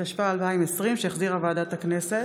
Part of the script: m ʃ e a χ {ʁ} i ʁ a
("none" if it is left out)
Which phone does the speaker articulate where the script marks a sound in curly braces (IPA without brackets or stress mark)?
z